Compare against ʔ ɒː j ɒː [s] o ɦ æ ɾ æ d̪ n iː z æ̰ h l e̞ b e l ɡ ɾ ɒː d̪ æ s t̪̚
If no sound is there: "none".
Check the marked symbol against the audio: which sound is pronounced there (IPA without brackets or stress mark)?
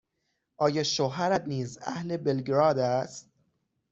ʃ